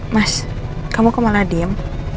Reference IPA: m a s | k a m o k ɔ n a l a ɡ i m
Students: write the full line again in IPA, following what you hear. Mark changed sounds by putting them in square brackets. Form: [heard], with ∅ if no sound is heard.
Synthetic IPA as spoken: m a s | k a m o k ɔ [m] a l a [d] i m